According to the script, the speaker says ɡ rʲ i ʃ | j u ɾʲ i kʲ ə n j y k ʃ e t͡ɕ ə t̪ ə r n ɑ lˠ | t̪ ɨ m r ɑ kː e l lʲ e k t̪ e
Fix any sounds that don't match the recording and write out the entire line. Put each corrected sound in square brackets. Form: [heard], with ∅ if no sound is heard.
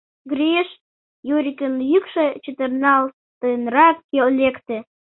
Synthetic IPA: ɡ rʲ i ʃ | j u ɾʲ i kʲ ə n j y k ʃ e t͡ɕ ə t̪ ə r n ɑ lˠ | t̪ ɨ [n] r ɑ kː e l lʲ e k t̪ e